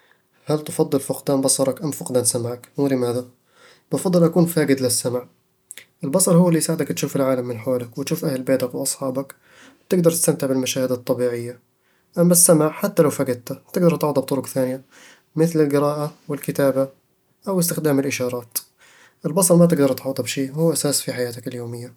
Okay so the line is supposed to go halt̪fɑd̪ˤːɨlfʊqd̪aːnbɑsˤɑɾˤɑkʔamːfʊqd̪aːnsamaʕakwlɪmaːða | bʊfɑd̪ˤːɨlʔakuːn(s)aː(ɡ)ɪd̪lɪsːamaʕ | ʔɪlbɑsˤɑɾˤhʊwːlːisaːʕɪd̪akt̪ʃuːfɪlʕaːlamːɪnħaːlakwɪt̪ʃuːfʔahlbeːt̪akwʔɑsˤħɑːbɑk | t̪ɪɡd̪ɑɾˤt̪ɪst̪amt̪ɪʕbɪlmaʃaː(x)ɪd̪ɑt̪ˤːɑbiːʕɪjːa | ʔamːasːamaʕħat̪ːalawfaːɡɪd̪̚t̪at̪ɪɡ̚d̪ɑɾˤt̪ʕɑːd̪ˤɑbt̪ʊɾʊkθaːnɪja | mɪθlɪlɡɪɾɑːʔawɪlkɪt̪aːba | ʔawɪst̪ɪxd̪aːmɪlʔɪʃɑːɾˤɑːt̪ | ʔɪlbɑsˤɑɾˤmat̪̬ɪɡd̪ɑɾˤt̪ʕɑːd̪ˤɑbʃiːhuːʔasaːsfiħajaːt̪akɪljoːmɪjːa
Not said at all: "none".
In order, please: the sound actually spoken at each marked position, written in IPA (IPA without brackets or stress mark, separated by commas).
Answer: f, ɡ, h